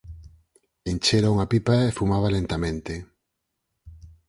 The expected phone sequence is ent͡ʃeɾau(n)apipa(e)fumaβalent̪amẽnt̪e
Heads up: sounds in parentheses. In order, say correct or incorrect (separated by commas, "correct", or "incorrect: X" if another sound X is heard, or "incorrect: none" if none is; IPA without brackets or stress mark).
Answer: incorrect: ŋ, correct